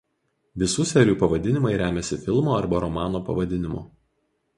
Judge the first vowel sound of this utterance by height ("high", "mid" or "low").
high